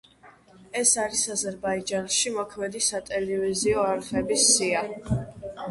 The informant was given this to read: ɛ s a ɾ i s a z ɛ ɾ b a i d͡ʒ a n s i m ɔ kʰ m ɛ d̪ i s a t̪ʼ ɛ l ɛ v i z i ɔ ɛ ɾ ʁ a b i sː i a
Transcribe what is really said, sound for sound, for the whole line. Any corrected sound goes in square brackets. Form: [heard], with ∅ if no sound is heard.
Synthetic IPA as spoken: ɛ s a ɾ i s a z ɛ ɾ b a i d͡ʒ a n [ʃ] i m ɔ kʰ m ɛ d̪ i s a t̪ʼ ɛ l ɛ v i z i ɔ [a] ɾ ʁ [ɛ] b i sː i a